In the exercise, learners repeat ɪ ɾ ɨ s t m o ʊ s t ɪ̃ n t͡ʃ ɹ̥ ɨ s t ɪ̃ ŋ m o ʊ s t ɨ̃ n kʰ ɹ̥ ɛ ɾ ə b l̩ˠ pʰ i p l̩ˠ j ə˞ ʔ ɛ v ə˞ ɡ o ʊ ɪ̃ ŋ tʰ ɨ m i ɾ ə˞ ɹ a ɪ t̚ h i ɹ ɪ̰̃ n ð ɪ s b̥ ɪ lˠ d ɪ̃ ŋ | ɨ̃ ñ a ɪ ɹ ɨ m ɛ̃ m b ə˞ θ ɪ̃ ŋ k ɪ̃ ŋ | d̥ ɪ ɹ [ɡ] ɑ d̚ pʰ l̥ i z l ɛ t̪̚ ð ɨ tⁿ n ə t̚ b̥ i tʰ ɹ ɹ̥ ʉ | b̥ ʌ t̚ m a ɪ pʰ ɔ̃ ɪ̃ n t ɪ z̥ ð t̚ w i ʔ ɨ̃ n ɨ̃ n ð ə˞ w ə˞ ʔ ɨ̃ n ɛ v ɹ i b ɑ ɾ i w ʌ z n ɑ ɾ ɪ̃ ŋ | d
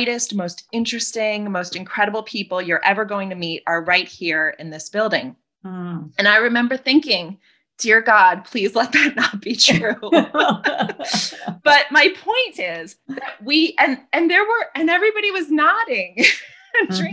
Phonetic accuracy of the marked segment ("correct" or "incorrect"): correct